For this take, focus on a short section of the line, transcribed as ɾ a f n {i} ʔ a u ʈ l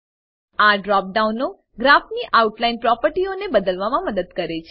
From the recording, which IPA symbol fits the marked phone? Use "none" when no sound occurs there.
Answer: i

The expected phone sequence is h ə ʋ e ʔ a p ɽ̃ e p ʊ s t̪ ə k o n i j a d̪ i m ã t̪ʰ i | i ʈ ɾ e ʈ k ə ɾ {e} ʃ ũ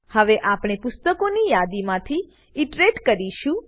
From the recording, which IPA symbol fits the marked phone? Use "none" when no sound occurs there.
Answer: i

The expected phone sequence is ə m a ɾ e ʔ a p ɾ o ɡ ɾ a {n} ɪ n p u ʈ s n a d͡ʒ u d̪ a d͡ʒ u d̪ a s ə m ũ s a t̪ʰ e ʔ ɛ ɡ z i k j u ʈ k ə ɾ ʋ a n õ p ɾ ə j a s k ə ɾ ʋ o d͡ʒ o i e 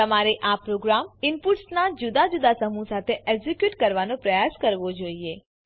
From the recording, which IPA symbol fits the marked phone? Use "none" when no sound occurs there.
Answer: m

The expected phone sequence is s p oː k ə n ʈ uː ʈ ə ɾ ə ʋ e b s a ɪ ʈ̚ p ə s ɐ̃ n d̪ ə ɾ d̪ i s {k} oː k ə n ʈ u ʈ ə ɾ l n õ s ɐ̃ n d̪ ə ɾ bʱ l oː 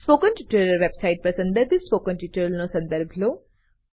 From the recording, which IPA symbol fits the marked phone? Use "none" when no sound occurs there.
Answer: p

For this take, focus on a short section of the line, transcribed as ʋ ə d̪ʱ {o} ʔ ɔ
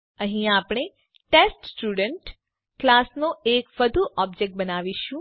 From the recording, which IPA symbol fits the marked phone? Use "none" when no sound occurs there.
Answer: u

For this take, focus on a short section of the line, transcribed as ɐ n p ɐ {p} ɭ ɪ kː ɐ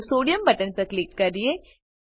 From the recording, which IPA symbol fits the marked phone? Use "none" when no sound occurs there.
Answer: k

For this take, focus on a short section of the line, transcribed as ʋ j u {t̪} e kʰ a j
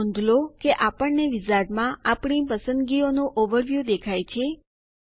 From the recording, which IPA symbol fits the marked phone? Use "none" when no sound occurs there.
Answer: d̪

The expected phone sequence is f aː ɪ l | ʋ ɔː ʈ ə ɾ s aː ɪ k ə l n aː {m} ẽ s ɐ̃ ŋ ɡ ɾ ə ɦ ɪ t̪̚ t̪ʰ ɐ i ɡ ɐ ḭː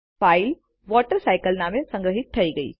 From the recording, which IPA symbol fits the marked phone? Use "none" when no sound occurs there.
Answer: m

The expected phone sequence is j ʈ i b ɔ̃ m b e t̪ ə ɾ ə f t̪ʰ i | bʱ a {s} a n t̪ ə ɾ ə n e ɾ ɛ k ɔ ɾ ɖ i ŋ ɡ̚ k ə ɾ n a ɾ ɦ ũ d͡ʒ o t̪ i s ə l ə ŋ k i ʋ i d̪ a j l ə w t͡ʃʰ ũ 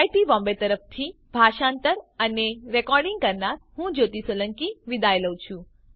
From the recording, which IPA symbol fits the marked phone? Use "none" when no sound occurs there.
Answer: ʃ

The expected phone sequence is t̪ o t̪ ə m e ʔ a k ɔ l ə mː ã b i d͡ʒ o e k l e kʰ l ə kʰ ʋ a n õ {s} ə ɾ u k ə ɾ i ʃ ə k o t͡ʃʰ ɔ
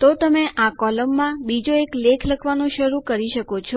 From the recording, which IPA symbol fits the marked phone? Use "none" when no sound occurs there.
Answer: ʃ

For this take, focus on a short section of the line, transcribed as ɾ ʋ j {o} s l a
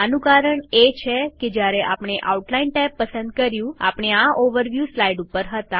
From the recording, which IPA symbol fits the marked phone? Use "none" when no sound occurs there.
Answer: u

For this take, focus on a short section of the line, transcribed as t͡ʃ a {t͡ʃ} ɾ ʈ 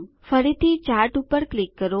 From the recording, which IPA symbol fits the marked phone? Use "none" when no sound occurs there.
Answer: none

